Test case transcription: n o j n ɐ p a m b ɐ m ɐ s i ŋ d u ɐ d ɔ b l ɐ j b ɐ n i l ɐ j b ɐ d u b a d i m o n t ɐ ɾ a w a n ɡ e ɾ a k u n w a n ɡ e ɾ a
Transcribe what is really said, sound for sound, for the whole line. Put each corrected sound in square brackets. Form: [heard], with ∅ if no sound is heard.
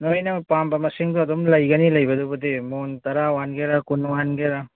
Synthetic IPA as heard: n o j n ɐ p a m b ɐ m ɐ s i ŋ d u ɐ d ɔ [m] l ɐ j [ɡ] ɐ n i l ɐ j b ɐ d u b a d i m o n t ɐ ɾ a w a n ɡ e ɾ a k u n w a n ɡ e ɾ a